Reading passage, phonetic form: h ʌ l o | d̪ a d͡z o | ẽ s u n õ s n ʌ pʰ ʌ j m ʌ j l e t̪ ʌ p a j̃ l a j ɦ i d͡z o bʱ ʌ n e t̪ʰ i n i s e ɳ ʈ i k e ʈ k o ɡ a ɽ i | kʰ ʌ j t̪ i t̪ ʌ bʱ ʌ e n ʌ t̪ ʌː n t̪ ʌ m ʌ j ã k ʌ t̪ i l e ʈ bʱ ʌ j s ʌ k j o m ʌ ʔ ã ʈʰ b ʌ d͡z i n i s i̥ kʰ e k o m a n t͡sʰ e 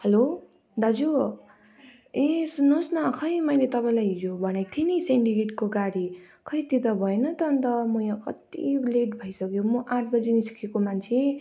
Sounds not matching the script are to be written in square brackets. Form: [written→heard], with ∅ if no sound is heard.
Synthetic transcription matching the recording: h ʌ l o | d̪ a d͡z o | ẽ s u n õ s n ʌ [pʰ→kʰ] ʌ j m ʌ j l e t̪ ʌ p a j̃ l a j ɦ i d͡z o bʱ ʌ n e t̪ʰ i n i s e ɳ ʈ i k e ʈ k o ɡ a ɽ i | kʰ ʌ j t̪ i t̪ ʌ bʱ ʌ e n ʌ t̪ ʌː n t̪ ʌ m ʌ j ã k ʌ t̪ i l e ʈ bʱ ʌ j s ʌ k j o m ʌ ʔ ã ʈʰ b ʌ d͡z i n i s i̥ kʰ e k o m a n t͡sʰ e